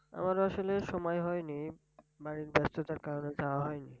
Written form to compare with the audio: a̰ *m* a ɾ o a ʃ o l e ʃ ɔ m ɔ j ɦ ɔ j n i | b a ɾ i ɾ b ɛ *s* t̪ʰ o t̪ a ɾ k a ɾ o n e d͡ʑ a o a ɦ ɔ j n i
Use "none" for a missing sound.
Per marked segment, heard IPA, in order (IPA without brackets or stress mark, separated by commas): m, s